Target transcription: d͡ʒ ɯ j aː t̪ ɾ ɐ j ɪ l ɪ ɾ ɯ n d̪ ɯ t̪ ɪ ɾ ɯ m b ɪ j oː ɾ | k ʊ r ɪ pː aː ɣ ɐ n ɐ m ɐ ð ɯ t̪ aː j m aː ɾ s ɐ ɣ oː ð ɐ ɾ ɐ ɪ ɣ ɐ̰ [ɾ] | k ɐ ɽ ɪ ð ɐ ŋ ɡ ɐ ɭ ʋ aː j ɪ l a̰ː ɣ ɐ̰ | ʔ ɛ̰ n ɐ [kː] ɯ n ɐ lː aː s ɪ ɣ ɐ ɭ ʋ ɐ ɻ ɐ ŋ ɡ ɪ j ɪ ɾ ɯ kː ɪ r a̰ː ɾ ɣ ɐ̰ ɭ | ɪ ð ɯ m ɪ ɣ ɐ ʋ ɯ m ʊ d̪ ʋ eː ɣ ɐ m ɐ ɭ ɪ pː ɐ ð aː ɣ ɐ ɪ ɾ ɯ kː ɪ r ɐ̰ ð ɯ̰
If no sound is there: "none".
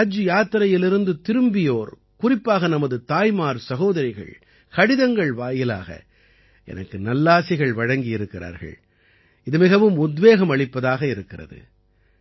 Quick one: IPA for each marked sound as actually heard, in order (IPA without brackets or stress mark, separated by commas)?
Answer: ɭ, kː